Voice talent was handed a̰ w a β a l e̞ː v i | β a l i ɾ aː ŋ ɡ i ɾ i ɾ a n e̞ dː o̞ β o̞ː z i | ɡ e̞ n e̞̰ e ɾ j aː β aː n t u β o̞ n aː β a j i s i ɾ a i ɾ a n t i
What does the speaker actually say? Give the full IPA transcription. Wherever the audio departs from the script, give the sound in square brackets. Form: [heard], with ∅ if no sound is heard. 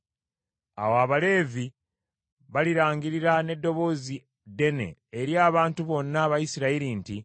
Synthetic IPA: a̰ w a β a l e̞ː v i | β a l i ɾ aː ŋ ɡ i ɾ i ɾ a n e̞ dː o̞ β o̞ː z i | [d] e̞ n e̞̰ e ɾ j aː β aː n t u β o̞ [nː] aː β a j i s i ɾ a i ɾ [i] n t i